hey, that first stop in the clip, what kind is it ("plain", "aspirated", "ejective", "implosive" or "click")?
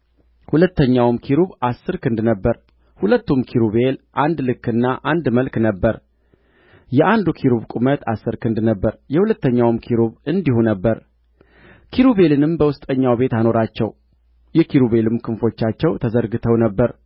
plain